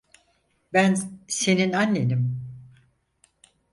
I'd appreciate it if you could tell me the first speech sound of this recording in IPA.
b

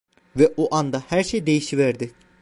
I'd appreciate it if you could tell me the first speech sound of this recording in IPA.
v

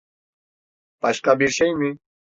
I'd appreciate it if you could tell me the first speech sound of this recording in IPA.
p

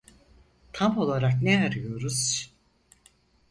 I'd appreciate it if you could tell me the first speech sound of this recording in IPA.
t̪ʰ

